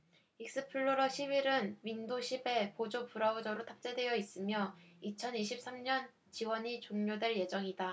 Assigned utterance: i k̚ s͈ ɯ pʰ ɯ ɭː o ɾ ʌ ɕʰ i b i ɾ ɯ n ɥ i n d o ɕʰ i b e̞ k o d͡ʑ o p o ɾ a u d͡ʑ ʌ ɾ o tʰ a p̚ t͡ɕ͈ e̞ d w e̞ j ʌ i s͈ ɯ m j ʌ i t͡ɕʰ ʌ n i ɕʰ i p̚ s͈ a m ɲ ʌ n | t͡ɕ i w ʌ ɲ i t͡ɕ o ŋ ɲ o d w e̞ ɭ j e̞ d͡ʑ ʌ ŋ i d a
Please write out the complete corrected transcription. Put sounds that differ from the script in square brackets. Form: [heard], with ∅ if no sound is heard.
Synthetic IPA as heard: i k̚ s͈ ɯ pʰ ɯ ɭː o ɾ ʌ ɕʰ i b i ɾ ɯ n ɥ i n d o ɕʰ i b e̞ [p] o d͡ʑ o p [u] ɾ a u d͡ʑ ʌ ɾ o tʰ a p̚ t͡ɕ͈ e̞ d w e̞ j ʌ i s͈ ɯ m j ʌ i t͡ɕʰ ʌ n i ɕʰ i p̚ s͈ a m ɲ ʌ n | t͡ɕ i w ʌ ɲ i t͡ɕ o ŋ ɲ o d w e̞ ɭ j e̞ d͡ʑ ʌ ŋ i d a